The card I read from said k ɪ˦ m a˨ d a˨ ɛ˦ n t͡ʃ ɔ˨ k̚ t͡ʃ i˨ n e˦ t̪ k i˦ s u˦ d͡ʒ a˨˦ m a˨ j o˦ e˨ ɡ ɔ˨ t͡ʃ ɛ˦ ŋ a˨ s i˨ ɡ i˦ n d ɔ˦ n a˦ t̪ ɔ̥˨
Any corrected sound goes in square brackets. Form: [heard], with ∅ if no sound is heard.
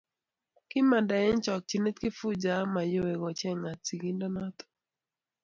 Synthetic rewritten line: k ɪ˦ m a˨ d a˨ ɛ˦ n t͡ʃ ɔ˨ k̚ t͡ʃ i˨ n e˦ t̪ k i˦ [f] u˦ d͡ʒ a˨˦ m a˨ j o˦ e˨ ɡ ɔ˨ t͡ʃ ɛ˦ ŋ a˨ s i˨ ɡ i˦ n d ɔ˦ n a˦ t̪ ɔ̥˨